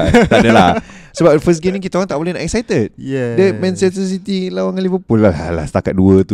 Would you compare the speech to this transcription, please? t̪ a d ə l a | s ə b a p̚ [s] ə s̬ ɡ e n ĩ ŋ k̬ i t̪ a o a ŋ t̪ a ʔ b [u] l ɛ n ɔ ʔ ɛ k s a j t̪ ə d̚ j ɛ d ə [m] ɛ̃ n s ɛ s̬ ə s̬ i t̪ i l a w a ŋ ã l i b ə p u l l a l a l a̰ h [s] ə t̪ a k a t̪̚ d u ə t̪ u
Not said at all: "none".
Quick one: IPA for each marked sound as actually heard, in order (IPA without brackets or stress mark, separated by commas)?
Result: f, o, m, s